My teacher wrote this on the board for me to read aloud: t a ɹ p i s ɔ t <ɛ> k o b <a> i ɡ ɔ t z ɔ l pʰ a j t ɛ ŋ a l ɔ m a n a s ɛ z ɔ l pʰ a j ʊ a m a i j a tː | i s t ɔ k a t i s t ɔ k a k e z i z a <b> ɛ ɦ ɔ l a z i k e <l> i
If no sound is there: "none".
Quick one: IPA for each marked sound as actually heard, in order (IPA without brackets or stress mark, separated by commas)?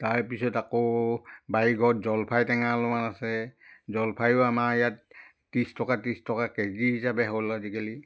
a, a, b, l